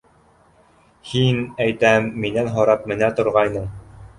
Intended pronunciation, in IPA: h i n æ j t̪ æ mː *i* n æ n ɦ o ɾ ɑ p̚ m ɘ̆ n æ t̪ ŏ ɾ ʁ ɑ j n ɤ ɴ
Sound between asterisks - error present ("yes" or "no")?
no